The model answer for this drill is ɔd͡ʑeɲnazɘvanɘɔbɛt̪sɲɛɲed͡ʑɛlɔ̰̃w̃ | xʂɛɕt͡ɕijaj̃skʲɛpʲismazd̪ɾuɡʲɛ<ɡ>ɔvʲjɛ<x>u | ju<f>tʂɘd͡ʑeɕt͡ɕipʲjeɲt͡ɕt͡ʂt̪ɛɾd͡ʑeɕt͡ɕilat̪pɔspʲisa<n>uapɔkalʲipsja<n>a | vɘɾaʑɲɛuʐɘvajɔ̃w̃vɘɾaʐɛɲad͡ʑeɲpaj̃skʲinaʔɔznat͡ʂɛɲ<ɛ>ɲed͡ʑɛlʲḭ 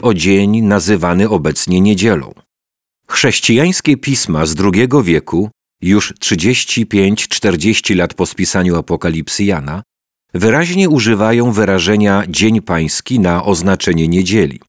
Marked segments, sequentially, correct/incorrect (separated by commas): correct, incorrect, incorrect, incorrect, correct, correct